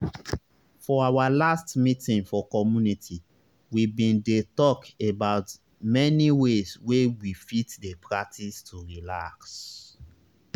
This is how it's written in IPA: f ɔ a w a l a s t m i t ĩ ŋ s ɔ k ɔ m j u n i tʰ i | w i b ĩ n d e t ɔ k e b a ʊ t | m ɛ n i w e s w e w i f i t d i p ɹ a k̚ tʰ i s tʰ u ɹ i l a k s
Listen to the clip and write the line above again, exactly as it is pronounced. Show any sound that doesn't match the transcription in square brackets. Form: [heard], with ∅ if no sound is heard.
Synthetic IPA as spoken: f ɔ a w a l a s t m i t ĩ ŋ [f] ɔ k ɔ m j u n i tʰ i | w i b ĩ n d e t ɔ k e b a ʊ t | m ɛ n i w e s w e w i f i t d [e] p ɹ a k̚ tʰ i s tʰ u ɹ i l a k s